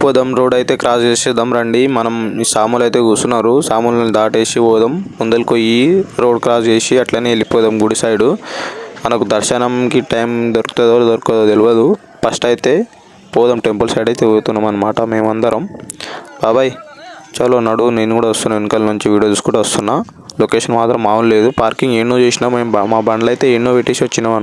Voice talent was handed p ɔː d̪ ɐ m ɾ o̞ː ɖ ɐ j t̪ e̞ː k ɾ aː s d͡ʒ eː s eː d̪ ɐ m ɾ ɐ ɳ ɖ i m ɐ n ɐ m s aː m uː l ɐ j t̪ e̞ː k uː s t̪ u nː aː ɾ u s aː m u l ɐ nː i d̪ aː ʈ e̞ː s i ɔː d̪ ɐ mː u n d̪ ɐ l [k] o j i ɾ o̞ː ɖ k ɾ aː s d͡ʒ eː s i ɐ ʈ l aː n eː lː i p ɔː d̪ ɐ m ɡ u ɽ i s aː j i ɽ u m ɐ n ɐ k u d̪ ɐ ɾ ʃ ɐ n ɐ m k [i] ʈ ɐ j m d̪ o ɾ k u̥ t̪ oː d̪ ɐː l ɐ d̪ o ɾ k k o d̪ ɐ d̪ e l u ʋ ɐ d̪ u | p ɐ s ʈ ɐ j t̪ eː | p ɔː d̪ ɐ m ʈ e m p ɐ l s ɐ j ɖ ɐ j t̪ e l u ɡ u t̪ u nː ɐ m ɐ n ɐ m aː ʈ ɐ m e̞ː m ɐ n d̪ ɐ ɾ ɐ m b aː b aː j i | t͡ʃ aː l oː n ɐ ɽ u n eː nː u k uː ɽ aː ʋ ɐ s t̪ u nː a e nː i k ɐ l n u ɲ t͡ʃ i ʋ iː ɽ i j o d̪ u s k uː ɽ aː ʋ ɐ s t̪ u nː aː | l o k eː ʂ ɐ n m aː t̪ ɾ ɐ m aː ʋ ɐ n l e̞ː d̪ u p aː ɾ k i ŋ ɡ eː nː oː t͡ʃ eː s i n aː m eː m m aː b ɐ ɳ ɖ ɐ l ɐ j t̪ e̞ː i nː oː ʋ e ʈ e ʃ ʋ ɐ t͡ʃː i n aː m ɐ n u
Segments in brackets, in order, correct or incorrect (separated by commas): correct, correct